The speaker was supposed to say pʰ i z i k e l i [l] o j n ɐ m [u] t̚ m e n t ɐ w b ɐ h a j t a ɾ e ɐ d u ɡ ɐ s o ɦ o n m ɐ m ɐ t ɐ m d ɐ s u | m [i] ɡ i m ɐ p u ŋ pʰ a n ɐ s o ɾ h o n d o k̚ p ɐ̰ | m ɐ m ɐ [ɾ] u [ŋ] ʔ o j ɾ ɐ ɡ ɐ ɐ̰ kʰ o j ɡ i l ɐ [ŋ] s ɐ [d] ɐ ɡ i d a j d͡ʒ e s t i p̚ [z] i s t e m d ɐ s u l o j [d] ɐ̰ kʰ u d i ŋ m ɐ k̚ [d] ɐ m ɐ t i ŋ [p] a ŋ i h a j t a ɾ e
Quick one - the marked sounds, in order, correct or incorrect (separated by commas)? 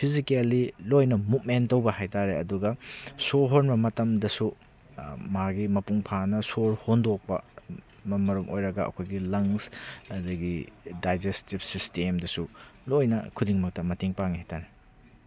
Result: correct, correct, incorrect, correct, incorrect, correct, correct, incorrect, incorrect, incorrect, correct